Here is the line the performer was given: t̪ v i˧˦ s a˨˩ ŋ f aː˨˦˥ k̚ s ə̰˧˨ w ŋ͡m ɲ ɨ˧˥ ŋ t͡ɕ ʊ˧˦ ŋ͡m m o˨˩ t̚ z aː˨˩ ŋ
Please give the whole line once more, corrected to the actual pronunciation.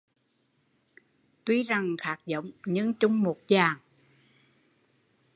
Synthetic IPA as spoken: t̪ w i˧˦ z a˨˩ ŋ x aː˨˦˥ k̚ z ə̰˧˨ w ŋ͡m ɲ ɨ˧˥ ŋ t͡ɕ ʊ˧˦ ŋ͡m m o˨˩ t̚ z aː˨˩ ŋ